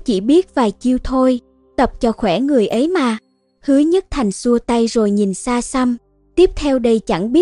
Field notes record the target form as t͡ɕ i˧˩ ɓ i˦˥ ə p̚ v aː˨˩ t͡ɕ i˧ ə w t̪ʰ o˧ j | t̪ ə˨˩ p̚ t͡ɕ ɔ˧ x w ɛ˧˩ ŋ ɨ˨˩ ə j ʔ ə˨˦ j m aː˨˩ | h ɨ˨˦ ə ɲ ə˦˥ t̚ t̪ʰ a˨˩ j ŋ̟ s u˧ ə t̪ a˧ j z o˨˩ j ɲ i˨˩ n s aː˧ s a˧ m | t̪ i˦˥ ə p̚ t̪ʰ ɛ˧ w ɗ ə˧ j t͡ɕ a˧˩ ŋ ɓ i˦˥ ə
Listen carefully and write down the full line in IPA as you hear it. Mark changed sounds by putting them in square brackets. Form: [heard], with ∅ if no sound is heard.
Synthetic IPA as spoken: t͡ɕ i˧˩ ɓ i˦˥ ə [t̚] v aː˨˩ t͡ɕ i˧ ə w t̪ʰ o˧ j | t̪ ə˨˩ p̚ t͡ɕ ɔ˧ x w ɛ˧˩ ŋ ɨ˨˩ ə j ʔ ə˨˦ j m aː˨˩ | h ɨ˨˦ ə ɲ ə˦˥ t̚ t̪ʰ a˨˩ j ŋ̟ s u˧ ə t̪ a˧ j z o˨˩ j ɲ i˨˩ n s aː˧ s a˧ m | t̪ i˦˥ ə p̚ t̪ʰ ɛ˧ w ɗ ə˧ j t͡ɕ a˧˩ ŋ ɓ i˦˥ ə